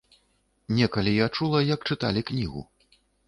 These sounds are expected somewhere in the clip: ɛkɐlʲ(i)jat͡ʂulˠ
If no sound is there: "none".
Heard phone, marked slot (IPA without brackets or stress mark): i